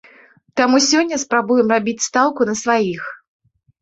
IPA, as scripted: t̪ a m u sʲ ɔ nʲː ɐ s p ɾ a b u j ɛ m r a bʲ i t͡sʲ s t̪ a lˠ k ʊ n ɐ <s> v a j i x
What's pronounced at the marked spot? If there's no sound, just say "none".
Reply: s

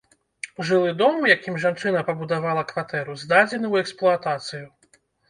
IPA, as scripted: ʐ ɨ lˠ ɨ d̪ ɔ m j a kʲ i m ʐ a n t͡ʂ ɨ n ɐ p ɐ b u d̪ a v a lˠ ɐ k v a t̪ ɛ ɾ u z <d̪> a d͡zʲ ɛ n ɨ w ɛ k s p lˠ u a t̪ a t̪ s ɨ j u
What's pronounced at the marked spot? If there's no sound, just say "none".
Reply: d̪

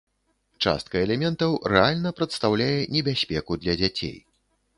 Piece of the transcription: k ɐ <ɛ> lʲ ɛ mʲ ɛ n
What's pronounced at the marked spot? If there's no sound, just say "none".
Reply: ɛ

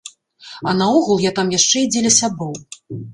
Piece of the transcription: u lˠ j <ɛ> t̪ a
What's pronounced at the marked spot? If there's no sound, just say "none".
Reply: a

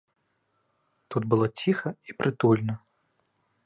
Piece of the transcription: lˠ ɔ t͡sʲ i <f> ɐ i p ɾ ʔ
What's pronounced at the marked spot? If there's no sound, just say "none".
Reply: x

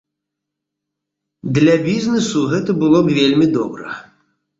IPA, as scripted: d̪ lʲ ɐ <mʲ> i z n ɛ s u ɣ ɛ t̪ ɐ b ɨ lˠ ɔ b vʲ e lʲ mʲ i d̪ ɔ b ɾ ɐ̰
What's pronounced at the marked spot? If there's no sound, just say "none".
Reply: bʲ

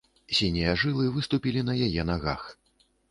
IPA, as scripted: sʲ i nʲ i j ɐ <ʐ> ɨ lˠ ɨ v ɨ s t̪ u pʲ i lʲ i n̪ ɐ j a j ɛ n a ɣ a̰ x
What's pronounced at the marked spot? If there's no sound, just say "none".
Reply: ʐ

